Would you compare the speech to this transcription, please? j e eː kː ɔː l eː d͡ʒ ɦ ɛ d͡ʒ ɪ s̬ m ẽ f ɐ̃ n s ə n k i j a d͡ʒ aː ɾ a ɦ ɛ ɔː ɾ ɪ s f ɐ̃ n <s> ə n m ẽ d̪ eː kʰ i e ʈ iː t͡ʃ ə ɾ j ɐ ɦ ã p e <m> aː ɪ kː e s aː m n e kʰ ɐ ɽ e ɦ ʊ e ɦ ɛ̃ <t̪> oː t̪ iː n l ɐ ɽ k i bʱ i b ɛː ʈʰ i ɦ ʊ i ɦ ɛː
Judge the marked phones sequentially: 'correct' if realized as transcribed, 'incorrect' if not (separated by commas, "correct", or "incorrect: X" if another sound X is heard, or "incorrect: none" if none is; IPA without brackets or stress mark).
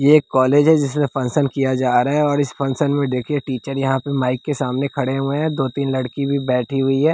correct, correct, incorrect: d̪